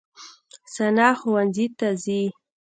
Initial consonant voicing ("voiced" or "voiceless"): voiceless